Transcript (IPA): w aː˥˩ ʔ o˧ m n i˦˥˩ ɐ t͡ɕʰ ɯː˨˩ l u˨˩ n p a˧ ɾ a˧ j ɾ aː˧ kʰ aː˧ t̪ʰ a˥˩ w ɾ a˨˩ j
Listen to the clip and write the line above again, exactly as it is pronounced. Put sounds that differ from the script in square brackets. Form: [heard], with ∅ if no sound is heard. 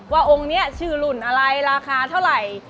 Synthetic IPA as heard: w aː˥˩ ʔ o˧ [ŋ] n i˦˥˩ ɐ t͡ɕʰ ɯː˨˩ l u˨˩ n [ʔ] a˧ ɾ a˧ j ɾ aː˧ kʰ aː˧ t̪ʰ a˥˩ w ɾ a˨˩ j